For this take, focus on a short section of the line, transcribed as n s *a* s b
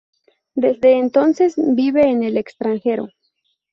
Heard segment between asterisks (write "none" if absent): e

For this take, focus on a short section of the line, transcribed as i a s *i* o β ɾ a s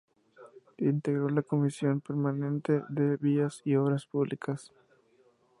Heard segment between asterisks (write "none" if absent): i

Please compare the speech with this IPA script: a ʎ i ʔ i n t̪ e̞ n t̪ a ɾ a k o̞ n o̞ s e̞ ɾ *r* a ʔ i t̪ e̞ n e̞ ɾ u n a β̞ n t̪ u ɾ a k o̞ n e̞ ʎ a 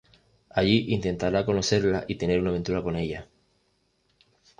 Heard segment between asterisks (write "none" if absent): l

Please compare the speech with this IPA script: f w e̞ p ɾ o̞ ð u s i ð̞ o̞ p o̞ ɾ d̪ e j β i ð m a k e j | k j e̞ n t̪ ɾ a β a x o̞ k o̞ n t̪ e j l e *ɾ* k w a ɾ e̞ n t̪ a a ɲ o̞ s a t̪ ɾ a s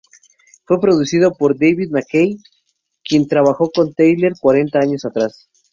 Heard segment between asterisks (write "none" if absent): ɾ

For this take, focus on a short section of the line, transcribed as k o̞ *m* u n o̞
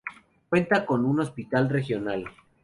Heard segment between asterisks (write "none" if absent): n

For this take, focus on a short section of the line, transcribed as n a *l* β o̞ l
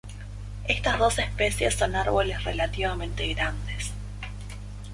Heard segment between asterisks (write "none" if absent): ɾ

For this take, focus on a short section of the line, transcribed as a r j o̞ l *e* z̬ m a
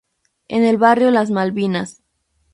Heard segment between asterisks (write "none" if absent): a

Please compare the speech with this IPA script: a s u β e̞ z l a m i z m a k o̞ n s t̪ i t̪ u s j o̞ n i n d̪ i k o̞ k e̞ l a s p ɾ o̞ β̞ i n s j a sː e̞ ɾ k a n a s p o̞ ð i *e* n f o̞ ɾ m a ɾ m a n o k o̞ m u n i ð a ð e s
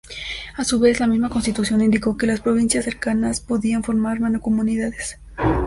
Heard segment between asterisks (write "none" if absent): a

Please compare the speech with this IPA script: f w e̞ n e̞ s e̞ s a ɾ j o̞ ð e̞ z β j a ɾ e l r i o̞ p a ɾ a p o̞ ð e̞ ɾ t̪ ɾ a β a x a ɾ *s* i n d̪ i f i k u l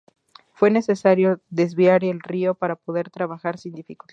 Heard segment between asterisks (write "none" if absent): s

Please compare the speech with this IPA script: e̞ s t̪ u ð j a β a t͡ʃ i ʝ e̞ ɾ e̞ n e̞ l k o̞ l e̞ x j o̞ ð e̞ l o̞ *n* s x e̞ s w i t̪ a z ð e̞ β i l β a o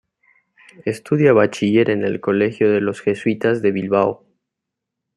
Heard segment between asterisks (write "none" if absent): none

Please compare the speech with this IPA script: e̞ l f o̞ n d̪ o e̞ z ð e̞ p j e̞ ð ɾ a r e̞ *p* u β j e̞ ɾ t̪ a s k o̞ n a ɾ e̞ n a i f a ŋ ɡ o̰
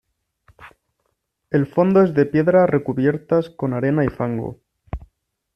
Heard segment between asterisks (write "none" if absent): k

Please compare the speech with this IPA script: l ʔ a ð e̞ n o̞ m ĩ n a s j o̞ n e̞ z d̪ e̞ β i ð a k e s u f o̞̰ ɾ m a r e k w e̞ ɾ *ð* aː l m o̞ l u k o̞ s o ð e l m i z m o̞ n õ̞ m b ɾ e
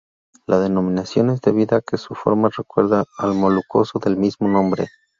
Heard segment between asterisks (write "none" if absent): ð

